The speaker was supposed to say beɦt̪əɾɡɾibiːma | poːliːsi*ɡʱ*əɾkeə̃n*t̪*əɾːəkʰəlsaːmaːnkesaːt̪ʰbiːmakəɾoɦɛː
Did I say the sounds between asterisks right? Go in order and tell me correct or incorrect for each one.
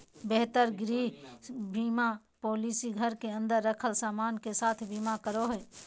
correct, incorrect

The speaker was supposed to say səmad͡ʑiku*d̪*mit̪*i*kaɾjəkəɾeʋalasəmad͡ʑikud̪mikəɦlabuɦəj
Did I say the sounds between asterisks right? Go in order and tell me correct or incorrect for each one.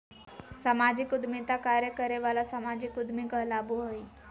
correct, incorrect

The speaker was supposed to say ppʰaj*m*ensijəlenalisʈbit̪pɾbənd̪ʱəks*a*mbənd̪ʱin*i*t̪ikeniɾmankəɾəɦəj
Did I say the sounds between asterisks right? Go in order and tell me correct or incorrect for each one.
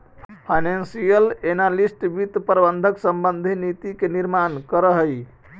incorrect, incorrect, correct

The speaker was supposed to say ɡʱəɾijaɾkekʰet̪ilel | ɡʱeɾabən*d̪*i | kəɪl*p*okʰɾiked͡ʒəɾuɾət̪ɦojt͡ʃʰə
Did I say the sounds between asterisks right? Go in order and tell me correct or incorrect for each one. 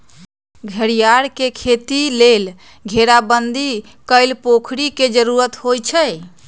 correct, correct

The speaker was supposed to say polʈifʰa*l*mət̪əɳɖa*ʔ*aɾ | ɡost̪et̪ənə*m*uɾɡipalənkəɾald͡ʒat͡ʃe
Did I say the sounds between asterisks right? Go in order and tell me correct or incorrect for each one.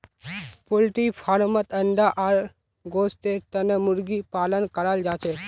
incorrect, correct, correct

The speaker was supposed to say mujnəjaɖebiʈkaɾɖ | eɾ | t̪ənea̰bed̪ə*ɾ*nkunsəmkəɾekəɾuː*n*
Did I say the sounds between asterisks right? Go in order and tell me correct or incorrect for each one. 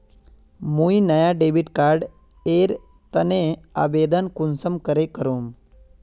incorrect, incorrect

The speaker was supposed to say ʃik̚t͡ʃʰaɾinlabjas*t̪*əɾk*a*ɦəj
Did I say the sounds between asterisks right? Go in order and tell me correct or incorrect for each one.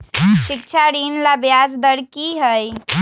incorrect, incorrect

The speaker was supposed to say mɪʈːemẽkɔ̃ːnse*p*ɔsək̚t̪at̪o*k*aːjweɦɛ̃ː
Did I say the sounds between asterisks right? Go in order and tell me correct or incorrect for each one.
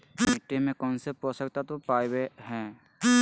correct, incorrect

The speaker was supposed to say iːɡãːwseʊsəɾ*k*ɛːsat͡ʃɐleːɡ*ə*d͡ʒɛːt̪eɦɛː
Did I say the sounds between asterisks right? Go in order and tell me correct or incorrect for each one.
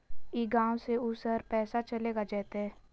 incorrect, incorrect

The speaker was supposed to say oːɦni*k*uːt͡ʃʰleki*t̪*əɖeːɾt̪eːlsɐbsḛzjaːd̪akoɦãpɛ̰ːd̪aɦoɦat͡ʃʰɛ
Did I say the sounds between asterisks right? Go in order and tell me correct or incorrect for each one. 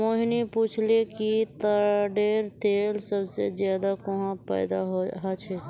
incorrect, correct

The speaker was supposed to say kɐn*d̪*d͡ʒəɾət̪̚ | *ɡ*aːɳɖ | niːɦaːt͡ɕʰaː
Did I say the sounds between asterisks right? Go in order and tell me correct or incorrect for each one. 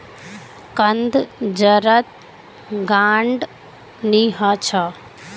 correct, correct

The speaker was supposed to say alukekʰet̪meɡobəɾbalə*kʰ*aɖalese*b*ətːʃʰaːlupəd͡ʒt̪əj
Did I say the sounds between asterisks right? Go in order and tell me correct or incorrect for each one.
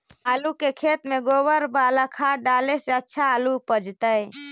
correct, incorrect

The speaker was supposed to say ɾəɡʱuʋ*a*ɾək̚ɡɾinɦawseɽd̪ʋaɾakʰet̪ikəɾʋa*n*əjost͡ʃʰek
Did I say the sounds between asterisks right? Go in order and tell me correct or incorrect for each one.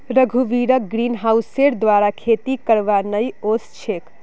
incorrect, correct

